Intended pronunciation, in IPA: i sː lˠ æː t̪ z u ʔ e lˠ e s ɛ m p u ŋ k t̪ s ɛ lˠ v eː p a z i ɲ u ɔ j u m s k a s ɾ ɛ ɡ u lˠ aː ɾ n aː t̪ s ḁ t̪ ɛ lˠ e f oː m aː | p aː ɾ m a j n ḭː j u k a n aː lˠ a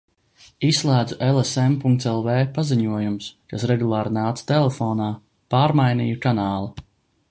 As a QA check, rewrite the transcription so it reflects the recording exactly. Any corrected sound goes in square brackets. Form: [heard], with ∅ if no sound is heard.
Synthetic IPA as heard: i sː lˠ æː [d̪] z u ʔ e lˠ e s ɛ m p u ŋ k t̪ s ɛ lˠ v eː p a z i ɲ u ɔ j u m s k a s ɾ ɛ ɡ u lˠ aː ɾ n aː t̪ s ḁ t̪ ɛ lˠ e f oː [n] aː | p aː ɾ m a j n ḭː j u k a n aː lˠ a